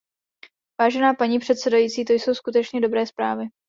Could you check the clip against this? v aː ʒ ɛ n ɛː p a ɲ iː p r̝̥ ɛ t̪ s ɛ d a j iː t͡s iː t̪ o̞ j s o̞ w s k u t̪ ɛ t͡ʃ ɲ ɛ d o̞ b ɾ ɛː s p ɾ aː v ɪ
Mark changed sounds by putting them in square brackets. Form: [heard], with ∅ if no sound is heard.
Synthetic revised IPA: v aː ʒ ɛ n [aː] p a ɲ iː p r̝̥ ɛ t̪ s ɛ d a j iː t͡s iː t̪ o̞ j s o̞ w s k u t̪ ɛ t͡ʃ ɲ ɛ d o̞ b ɾ ɛː s p ɾ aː v ɪ